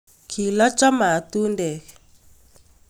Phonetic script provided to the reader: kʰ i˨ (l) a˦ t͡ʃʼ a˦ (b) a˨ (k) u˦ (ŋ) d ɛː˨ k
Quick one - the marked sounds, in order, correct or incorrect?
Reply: correct, incorrect, incorrect, incorrect

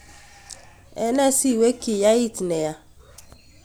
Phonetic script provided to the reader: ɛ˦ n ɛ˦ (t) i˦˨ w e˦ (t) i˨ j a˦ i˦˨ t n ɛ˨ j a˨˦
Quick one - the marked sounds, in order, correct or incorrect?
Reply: incorrect, incorrect

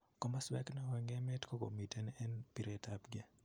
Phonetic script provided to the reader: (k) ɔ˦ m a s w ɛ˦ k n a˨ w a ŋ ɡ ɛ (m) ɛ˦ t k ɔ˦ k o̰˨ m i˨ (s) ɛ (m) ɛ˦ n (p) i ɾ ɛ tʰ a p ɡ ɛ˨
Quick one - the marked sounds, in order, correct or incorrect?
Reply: correct, correct, incorrect, incorrect, correct

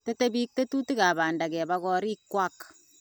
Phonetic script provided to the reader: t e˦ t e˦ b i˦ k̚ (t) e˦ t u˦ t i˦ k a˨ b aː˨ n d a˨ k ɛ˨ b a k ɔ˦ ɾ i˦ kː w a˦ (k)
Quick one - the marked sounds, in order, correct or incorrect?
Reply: correct, correct

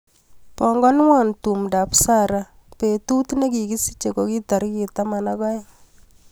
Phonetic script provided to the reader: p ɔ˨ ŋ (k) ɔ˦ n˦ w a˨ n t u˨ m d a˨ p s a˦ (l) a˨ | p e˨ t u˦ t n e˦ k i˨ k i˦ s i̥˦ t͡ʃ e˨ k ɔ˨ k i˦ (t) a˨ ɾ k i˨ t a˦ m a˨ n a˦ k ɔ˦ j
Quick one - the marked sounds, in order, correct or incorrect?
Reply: incorrect, incorrect, correct

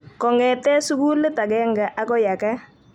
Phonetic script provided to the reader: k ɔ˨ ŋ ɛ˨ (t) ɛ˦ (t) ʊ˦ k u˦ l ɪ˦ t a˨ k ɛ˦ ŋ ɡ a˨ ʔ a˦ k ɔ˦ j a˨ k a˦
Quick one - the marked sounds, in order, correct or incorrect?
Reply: correct, incorrect

